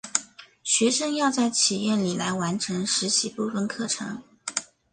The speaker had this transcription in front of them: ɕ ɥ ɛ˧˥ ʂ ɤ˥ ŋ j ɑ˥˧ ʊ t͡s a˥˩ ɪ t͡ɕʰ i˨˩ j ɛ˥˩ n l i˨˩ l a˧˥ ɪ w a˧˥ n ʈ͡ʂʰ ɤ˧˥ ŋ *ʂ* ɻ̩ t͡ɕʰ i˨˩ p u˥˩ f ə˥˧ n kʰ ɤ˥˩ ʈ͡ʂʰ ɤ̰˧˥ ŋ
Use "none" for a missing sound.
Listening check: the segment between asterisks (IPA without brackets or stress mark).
ʂ